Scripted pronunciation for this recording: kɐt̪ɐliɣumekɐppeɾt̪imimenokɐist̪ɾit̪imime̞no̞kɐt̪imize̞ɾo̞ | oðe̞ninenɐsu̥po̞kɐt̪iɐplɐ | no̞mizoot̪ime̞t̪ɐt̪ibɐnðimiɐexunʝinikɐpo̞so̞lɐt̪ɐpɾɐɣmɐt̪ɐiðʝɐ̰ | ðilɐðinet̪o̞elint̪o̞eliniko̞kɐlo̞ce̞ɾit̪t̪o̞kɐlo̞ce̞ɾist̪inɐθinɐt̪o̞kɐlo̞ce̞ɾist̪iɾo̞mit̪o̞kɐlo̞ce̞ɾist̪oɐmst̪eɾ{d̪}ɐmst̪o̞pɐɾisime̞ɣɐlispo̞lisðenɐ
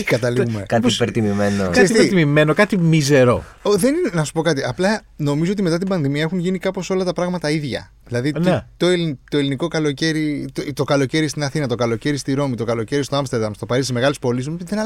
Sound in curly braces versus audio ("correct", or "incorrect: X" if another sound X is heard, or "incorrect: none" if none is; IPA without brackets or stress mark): correct